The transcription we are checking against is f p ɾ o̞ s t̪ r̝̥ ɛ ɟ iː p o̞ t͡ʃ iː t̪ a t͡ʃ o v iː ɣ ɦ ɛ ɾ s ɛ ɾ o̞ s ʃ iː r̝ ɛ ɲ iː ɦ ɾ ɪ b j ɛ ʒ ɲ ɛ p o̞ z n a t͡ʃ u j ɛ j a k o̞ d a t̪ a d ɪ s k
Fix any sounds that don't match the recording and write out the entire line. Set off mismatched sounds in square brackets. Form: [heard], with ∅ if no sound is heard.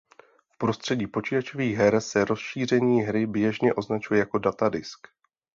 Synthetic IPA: f p ɾ o̞ s t̪ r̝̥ ɛ ɟ iː p o̞ t͡ʃ iː t̪ a t͡ʃ o v iː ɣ ɦ ɛ ɾ s ɛ ɾ o̞ s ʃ iː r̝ ɛ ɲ iː ɦ ɾ ɪ b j ɛ ʒ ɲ ɛ [ʔ] o̞ z n a t͡ʃ u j ɛ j a k o̞ d a t̪ a d ɪ s k